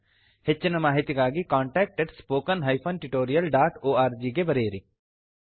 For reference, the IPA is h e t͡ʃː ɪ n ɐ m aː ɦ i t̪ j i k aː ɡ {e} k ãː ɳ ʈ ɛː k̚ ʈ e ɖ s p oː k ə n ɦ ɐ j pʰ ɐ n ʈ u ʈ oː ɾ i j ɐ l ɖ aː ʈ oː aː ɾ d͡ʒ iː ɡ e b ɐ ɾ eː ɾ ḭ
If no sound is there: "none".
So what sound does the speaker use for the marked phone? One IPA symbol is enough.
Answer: i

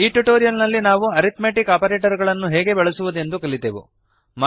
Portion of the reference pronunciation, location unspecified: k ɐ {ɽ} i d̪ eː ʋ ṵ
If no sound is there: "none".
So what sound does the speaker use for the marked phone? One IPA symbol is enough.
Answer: ɭ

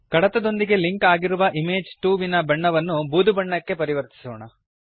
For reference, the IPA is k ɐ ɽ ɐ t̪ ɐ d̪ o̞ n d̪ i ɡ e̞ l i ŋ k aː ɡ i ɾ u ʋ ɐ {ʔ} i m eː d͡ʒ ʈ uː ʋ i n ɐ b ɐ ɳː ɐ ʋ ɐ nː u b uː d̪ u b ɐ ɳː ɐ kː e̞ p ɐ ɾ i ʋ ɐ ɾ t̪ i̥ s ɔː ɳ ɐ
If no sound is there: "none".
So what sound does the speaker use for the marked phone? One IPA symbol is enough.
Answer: ʔ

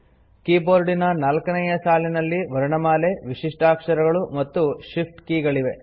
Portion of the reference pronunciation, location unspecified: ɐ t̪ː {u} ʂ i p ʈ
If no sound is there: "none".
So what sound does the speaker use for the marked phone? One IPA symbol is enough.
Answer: u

